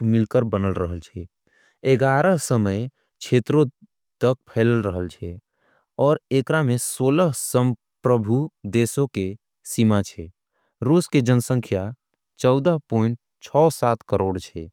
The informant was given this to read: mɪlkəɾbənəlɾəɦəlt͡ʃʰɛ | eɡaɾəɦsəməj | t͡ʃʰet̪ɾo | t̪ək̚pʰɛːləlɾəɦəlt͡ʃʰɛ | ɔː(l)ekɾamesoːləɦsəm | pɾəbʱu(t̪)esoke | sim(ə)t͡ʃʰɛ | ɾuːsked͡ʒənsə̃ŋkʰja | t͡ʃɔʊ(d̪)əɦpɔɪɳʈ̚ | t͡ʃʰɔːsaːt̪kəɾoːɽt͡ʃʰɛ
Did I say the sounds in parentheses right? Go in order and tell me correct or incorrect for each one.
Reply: incorrect, incorrect, incorrect, correct

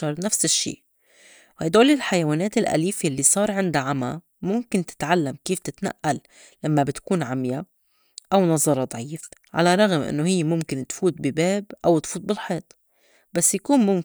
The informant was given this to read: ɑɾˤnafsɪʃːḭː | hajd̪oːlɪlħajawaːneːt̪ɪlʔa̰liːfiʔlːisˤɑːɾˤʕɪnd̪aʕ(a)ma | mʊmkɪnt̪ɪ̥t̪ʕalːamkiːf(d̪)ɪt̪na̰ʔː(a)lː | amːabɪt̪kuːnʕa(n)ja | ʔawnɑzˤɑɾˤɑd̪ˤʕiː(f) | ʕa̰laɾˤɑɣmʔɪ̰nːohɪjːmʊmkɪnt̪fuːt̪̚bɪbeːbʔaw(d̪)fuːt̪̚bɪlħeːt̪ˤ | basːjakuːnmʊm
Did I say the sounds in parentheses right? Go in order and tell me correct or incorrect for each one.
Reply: correct, incorrect, correct, incorrect, correct, incorrect

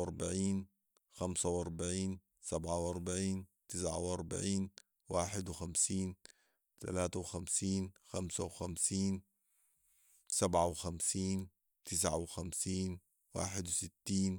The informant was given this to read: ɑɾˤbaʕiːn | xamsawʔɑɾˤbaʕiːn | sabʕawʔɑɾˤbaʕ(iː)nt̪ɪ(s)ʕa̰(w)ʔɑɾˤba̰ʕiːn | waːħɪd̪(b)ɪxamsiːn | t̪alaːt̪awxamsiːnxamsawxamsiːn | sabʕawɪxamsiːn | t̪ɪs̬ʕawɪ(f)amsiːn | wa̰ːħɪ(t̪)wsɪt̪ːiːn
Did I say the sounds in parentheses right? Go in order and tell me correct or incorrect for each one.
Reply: correct, correct, correct, incorrect, incorrect, incorrect

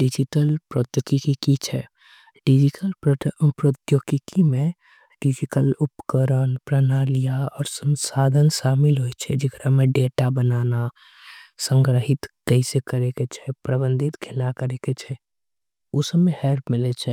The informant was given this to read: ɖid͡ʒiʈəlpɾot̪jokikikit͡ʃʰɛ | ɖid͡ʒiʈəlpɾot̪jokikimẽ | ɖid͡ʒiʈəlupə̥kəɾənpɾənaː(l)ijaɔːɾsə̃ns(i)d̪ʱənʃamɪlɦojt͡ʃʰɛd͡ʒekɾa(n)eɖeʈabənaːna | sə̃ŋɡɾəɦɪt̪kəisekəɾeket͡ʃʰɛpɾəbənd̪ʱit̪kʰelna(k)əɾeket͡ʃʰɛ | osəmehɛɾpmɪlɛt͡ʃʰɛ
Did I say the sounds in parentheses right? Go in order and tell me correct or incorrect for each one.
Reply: correct, incorrect, incorrect, correct

